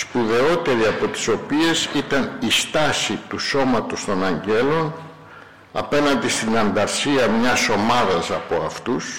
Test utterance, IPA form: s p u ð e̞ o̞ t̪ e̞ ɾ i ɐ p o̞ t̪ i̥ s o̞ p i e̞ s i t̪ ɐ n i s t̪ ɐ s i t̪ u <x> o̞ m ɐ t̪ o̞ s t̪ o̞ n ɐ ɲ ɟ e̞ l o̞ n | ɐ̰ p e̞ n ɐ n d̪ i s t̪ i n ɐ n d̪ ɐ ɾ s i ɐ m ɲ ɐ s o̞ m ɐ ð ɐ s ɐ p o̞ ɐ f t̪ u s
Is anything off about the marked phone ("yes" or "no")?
yes